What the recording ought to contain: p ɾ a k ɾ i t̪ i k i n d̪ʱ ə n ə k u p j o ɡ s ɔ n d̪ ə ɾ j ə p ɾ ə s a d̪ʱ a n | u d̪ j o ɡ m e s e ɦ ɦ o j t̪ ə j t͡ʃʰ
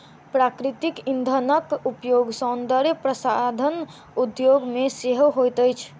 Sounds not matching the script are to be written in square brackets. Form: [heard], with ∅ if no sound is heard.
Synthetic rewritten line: p ɾ a k ɾ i t̪ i k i n d̪ʱ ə n ə k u p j o ɡ s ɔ n d̪ ə ɾ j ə p ɾ ə s a d̪ʱ [ə] n | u d̪ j o ɡ m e s e ɦ ɦ o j t̪ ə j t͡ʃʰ